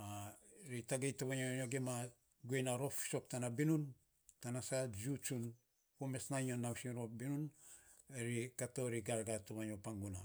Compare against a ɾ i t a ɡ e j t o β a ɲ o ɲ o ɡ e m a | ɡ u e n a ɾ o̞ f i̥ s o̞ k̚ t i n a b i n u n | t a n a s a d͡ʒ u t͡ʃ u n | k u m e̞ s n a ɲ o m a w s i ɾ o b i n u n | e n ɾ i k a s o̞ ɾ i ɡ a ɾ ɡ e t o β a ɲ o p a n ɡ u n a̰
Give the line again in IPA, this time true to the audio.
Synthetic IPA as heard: a ɾ i t a ɡ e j t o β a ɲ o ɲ o ɡ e m a | ɡ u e n a ɾ o̞ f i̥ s o̞ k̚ t a n a b i n u n | t a n a s a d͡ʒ u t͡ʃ u n | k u m e̞ s n a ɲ o n a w s i ɾ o b i n u n | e ɾ i k a t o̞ ɾ i ɡ a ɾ ɡ a t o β a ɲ o p a ŋ ɡ u n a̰